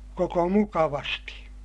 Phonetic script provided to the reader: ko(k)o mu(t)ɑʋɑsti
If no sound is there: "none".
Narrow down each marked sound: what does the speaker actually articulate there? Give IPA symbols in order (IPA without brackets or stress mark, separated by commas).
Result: k, k